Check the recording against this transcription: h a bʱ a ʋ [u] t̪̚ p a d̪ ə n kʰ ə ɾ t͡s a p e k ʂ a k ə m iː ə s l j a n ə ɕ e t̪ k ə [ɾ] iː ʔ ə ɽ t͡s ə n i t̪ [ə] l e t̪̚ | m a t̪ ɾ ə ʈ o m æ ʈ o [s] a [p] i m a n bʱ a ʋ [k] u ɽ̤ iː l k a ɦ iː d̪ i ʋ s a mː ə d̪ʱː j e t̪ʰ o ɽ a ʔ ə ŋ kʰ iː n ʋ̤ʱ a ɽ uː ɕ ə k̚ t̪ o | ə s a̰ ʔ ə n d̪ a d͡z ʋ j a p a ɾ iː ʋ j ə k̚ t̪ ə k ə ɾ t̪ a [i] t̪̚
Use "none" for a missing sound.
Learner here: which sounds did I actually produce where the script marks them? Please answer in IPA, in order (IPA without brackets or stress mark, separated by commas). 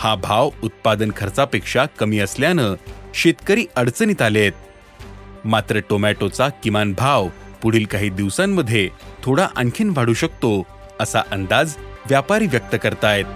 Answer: u, ɾ, a, t͡s, k, p, j